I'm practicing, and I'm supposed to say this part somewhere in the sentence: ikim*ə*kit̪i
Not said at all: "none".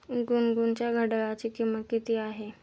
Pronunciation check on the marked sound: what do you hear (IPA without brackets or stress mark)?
ə